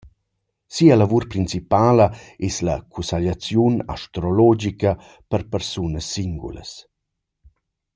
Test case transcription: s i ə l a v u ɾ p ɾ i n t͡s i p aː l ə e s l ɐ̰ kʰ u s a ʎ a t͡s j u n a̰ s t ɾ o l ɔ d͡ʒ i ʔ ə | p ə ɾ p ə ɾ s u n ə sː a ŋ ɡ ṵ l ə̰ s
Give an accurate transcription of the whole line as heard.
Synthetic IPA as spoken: s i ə l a v u ɾ p ɾ i n t͡s i p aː l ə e s l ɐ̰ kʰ u s a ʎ a t͡s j u n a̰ ʃ t ɾ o l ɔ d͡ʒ i k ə | p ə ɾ p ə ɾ s u n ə sː i ŋ ɡ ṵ l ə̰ s

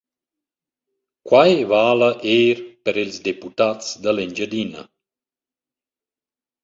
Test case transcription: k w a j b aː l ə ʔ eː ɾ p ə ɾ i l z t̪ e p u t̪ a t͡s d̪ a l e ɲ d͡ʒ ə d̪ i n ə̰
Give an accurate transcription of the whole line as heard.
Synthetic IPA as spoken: k w a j v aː l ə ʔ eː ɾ p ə ɾ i l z d̪ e p u t̪ a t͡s d̪ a l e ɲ d͡ʒ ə d̪ i n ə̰

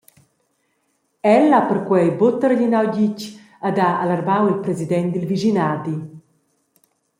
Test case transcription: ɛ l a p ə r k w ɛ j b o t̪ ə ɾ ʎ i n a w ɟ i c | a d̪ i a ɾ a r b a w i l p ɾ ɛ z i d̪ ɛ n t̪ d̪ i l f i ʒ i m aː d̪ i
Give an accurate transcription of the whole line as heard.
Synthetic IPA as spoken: ɛ l a p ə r k w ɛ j b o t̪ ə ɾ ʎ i n a w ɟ i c | a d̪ a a l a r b a w i l p ɾ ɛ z i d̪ ɛ n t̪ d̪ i l v i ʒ i n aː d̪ i

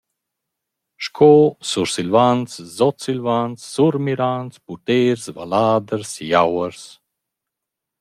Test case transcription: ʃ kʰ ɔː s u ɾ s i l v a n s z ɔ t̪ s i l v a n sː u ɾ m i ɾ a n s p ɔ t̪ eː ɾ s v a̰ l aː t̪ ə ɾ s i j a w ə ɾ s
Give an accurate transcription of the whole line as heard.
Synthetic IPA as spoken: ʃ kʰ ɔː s u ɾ s i l v a n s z ɔ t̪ s i l v a n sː u ɾ m i ɾ a n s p u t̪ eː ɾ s v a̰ l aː d̪ ə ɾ s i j a w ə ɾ s

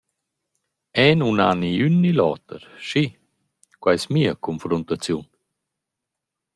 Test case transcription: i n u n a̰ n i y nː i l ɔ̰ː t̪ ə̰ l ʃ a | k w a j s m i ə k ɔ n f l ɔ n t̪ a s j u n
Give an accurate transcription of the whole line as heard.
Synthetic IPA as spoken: ɛ n u n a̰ n i y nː i l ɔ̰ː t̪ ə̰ ɾ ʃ i | k w a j s m i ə k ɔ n f ɾ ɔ n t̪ a t͡s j u n

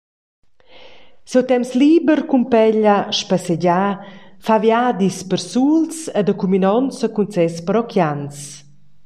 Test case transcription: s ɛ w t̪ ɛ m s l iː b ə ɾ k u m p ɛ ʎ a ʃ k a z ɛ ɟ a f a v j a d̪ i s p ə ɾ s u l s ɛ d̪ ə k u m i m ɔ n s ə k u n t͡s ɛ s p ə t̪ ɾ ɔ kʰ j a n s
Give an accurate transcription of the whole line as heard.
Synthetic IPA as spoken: s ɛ w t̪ ɛ m s l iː b ə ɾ k u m p ɛ ʎ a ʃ p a s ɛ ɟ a f a v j a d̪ i s p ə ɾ s u l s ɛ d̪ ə k u m i n ɔ n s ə k u n t͡s ɛ s p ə ɾ ɔ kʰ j a n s

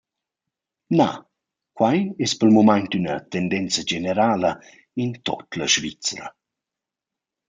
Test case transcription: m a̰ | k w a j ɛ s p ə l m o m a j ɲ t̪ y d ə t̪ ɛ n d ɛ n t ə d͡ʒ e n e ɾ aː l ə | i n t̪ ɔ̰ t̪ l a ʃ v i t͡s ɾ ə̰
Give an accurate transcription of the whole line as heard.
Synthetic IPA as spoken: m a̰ | k w a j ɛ s p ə l m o m a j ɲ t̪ y n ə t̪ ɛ n d ɛ n t͡s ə d͡ʒ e n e ɾ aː l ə | i n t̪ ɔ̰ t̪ l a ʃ v i t͡s ɾ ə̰

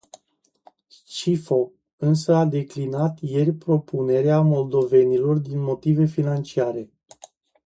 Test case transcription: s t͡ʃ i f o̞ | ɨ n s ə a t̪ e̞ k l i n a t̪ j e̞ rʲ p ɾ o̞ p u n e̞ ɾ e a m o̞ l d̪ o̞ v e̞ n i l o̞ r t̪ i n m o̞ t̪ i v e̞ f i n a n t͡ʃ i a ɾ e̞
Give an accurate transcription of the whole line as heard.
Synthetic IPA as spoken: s t͡ʃ i f o̞ | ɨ n s ə a d̪ e̞ k l i n a t̪ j e̞ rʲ p ɾ o̞ p u n e̞ ɾ e a m o̞ l d̪ o̞ v e̞ n i l o̞ r d̪ i n m o̞ t̪ i v e̞ f i n a n t͡ʃ i a ɾ e̞

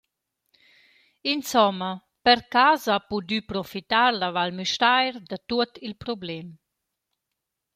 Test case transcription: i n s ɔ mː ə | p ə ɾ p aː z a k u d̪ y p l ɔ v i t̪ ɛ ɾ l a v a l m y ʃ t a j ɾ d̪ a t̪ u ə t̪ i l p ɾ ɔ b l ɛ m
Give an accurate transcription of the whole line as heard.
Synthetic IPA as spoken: i n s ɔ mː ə | p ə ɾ k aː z a p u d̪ y p ɾ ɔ f i t̪ a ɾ l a v a l m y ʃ t a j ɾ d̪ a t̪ u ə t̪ i l p ɾ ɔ b l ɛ m

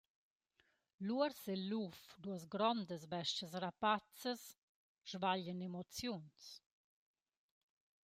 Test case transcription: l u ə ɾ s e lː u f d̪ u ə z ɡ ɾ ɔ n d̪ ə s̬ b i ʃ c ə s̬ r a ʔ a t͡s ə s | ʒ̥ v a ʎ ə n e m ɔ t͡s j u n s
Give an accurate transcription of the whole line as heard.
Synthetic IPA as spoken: l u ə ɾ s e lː u f d̪ u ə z ɡ ɾ ɔ n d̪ ə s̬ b ɛ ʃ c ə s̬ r a p a t͡s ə s | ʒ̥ v a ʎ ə n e m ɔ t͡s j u n s

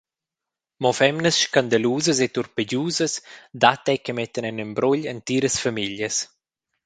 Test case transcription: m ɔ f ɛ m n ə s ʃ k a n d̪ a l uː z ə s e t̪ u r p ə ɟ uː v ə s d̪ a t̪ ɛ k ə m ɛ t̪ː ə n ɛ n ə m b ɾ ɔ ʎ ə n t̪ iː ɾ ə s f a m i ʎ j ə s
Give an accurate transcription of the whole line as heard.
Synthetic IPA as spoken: m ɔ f ɛ m n ə s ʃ k a n d̪ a l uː z ə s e t̪ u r p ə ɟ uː z ə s d̪ a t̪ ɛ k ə m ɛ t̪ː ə n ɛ n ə m b ɾ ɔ ʎ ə n t̪ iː ɾ ə s f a m i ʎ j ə s

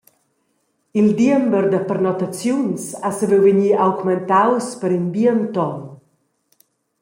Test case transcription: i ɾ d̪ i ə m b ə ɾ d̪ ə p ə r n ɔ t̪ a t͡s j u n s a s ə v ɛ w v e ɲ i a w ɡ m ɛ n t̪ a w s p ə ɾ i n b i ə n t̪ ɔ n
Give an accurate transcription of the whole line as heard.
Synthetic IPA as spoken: i l d̪ i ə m b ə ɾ d̪ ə p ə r n ɔ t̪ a t͡s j u n s a s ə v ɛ w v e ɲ i a w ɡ m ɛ n t̪ a w s p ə ɾ i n b i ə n t̪ ɔ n

